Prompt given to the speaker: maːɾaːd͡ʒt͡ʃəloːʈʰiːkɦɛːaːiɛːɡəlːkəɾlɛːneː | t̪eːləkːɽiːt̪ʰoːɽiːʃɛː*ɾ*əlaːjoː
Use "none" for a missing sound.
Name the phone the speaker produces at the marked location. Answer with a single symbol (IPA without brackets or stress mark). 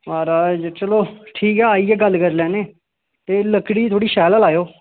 l